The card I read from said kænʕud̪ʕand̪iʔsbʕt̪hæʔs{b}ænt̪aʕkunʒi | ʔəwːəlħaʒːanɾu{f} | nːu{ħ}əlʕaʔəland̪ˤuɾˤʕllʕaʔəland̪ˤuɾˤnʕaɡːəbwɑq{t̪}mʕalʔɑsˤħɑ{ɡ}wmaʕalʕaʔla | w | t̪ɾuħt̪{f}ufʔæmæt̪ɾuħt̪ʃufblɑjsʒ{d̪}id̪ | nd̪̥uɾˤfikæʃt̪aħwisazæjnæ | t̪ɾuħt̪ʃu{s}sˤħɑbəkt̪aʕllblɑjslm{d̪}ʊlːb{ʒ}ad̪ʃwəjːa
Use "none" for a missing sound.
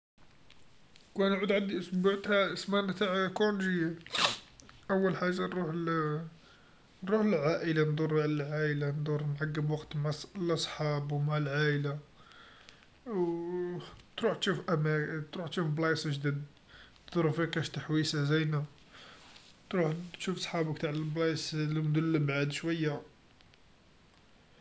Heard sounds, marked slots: m, ħ, ħ, t̪, b, ʃ, d̪, f, d̪, ʕ

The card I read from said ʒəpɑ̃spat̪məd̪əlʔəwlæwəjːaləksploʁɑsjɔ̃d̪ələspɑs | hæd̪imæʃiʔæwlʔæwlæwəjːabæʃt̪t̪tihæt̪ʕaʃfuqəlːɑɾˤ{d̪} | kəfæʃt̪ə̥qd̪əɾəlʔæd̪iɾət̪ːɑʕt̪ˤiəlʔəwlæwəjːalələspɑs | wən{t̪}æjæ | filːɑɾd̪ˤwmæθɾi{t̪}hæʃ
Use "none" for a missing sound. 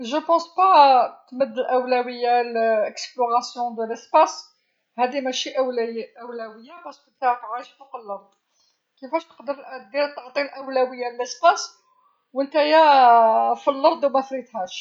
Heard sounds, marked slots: d̪, t̪, t̪

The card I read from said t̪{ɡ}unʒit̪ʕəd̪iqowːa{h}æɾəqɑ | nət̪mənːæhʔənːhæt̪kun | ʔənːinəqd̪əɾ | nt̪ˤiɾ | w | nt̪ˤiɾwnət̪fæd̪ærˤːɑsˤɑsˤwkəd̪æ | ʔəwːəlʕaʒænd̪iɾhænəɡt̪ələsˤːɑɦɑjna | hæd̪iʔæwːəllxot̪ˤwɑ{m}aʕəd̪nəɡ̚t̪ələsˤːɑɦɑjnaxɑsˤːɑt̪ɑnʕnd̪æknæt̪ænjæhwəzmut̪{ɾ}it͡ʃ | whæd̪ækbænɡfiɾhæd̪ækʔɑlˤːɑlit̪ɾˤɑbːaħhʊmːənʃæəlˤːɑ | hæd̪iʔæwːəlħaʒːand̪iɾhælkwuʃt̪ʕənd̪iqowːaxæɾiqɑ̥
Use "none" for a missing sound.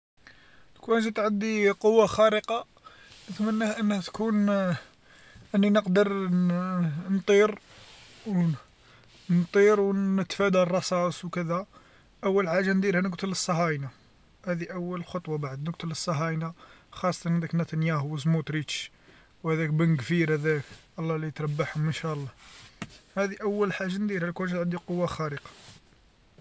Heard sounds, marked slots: k, x, b, ɾ

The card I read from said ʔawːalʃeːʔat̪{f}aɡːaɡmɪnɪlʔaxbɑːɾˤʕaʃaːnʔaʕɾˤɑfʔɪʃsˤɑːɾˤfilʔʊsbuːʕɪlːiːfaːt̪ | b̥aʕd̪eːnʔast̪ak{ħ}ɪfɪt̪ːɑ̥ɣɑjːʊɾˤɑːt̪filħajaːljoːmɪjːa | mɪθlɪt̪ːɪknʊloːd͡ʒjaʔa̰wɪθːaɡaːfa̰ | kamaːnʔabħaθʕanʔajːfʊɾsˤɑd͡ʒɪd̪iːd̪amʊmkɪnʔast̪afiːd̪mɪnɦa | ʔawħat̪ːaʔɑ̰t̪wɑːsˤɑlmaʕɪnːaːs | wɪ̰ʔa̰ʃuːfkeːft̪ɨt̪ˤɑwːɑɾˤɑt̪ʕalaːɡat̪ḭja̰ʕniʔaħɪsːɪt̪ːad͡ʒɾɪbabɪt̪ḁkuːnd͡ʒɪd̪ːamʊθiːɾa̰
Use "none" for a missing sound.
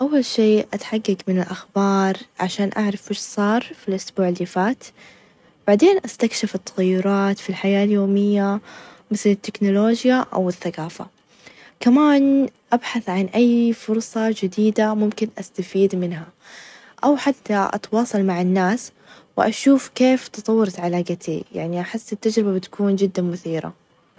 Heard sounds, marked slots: ħ, ʃ

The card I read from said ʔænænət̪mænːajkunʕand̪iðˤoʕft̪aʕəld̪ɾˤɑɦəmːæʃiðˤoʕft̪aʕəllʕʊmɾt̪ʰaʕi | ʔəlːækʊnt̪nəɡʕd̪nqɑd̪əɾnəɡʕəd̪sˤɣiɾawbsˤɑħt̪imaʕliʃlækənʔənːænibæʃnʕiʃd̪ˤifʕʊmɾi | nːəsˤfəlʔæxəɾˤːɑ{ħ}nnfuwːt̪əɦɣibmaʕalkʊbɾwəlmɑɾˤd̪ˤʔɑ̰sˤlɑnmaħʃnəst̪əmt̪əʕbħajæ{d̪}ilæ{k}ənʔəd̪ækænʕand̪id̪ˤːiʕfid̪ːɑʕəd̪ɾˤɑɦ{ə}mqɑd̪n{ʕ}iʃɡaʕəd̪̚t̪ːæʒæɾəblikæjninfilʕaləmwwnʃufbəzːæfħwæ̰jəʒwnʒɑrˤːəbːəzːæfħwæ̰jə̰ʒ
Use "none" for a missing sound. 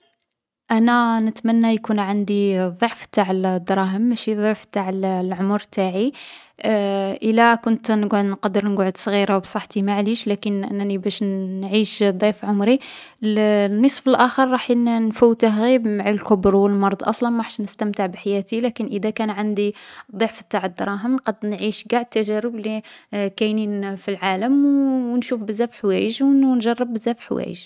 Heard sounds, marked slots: ħ, t̪, k, ə, ʕ

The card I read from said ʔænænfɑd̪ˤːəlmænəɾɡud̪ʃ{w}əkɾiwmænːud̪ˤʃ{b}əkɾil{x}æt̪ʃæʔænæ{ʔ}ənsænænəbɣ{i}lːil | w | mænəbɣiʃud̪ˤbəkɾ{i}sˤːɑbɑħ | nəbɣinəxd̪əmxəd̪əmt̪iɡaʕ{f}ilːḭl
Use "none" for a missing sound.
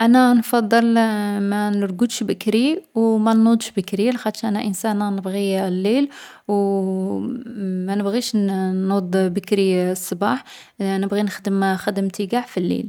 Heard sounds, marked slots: b, b, x, ʔ, i, i, f

